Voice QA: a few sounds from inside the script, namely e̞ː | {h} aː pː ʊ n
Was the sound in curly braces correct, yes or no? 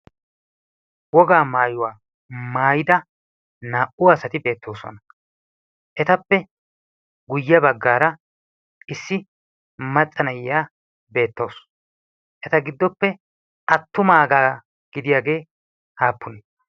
yes